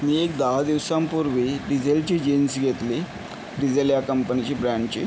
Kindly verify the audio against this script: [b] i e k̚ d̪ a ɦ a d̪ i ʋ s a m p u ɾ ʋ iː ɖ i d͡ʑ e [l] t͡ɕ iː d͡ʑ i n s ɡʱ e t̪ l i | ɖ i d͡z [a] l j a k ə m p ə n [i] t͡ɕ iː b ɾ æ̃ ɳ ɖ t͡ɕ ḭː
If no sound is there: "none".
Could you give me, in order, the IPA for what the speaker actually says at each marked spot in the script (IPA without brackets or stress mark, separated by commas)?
m, l, e, i